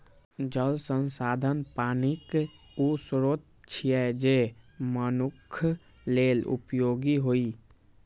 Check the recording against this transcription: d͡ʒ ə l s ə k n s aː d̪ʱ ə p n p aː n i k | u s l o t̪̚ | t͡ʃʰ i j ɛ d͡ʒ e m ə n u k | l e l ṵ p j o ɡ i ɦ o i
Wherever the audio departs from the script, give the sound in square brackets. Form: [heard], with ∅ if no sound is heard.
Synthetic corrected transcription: d͡ʒ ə l s ə [∅] n s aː d̪ʱ ə [∅] n p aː n i k | u s [ɾ] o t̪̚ | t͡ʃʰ i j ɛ d͡ʒ e m ə n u [kʰ] | l e l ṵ p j o ɡ i ɦ o i